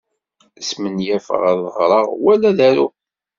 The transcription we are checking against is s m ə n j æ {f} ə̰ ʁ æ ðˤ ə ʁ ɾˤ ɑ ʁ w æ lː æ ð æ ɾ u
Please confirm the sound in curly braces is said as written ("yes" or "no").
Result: yes